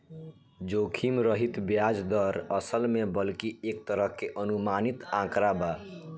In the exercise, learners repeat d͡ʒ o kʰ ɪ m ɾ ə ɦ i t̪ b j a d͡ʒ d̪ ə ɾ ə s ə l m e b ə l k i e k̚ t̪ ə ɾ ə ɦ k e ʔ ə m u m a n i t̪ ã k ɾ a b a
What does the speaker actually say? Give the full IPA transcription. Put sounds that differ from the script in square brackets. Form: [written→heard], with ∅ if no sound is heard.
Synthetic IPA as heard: d͡ʒ o kʰ [ɪ→i] m ɾ ə ɦ i t̪ b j a d͡ʒ d̪ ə ɾ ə s ə l m e b ə l k i e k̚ t̪ ə ɾ ə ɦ k e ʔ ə [m→n] u m a n i t̪ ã k ɾ a b a

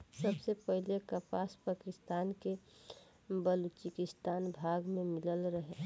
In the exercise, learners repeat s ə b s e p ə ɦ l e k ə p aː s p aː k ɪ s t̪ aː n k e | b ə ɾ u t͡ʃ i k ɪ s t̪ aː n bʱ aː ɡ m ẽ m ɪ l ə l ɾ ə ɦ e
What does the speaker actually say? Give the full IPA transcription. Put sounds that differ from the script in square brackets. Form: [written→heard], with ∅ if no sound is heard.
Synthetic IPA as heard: s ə b s e p ə ɦ l e k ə p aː s p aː k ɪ s t̪ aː n k e | b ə [ɾ→l] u t͡ʃ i k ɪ s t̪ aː n bʱ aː ɡ m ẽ m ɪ l ə l ɾ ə ɦ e

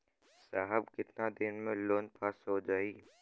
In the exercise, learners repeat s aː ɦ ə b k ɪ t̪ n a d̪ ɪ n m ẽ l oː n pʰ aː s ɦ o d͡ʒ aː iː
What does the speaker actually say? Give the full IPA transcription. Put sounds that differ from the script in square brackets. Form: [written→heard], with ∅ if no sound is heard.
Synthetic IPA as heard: s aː ɦ ə b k ɪ t̪ n a d̪ ɪ n m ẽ l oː n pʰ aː s ɦ o d͡ʒ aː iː

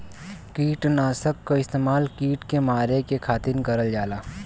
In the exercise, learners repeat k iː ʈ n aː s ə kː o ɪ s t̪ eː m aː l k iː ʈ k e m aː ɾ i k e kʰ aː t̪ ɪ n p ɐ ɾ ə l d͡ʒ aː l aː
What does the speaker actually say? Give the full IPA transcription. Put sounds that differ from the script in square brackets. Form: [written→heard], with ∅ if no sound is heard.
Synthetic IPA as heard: k iː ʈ n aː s ə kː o ɪ s t̪ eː m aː l k iː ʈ k e m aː ɾ [i→e] k e kʰ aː t̪ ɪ n [p→k] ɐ ɾ ə l d͡ʒ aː l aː

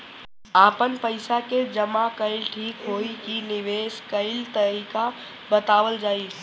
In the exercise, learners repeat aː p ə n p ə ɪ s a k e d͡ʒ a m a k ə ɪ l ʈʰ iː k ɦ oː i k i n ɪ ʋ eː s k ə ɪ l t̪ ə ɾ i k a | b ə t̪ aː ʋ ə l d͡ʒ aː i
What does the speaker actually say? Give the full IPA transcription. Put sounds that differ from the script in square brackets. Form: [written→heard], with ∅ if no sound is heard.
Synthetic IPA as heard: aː p ə n p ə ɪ s a k e d͡ʒ [a→ə] m a k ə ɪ l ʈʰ iː k ɦ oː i k i n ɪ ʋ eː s k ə ɪ l t̪ ə ɾ i k a | b ə t̪ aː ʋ ə l d͡ʒ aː i

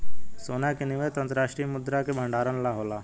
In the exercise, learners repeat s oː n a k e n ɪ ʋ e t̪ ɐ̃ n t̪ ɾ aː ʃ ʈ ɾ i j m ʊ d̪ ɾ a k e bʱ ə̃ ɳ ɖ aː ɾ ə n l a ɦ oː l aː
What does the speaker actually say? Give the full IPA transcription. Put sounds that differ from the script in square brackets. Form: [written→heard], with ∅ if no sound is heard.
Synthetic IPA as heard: s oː n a k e n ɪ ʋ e t̪ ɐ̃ n t̪ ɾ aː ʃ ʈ ɾ i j m ʊ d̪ ɾ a k e bʱ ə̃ ɳ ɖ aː ɾ ə n l a ɦ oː l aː

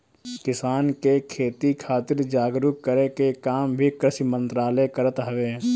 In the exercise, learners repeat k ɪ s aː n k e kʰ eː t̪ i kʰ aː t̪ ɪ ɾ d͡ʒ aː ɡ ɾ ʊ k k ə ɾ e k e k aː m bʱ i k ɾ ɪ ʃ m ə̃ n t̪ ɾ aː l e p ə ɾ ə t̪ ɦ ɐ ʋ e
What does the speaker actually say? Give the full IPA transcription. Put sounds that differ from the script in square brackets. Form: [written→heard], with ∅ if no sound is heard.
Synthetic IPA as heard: k ɪ s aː n k e kʰ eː t̪ i kʰ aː t̪ ɪ ɾ d͡ʒ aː ɡ ɾ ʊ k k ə ɾ e k e k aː m bʱ i k ɾ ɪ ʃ m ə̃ n t̪ ɾ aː l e [p→k] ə ɾ ə t̪ ɦ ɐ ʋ e

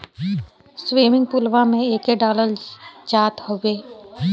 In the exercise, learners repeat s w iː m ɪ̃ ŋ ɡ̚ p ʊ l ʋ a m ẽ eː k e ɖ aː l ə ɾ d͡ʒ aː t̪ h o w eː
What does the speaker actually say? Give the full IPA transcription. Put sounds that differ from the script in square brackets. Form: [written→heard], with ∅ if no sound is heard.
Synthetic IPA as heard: s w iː m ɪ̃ ŋ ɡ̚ p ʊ l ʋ a m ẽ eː k e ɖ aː l ə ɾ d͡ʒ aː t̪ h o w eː

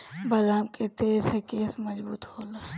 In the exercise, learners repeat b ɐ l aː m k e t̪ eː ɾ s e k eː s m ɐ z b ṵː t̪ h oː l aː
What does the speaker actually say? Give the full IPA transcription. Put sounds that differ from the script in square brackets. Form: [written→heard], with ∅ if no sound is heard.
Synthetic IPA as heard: b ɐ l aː m k e t̪ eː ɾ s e k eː s m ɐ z b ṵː t̪ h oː l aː

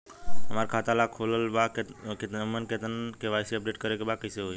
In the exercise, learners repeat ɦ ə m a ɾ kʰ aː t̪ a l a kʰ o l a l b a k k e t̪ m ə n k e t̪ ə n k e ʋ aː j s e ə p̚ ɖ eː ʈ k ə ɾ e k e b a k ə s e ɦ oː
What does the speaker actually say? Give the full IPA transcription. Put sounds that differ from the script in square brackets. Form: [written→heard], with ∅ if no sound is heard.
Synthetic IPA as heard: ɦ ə m a ɾ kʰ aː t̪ a l a kʰ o l [a→ə] l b a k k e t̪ m ə n k e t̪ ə n k e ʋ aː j s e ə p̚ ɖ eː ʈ k ə ɾ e k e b a k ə s e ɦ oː

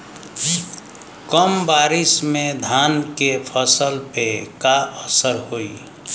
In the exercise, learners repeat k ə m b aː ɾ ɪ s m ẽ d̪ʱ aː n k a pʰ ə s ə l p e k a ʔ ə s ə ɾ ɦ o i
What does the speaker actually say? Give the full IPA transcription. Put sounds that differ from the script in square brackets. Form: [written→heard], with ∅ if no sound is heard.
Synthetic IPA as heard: k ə m b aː ɾ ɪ s m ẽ d̪ʱ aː n k [a→e] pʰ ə s ə l p e k a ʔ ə s ə ɾ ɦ o i

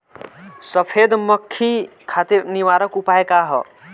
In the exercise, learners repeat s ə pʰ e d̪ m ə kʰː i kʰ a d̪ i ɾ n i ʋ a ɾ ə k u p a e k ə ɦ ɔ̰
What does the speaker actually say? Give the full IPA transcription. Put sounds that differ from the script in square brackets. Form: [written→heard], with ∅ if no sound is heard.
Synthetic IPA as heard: s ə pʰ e d̪ m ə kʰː i kʰ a [d̪→t̪] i ɾ n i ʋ a ɾ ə k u p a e k [ə→a] ɦ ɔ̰

